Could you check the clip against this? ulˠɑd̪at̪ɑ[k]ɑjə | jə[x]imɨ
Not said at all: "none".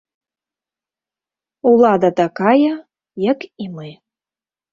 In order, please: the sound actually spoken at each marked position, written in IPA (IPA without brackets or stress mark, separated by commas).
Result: k, k